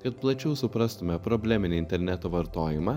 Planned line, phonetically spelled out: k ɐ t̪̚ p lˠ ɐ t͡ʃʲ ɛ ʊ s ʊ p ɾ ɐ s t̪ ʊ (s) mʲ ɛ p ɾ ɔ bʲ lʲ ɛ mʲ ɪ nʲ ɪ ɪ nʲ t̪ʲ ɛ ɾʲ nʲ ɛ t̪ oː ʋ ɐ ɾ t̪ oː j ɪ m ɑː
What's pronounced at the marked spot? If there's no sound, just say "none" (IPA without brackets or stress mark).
none